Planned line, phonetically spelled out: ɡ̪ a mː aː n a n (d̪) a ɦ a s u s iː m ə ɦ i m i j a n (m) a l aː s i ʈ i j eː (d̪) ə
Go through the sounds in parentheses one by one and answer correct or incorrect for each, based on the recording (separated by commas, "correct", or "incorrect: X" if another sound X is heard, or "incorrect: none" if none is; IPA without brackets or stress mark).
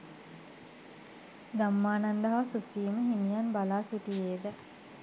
correct, incorrect: b, correct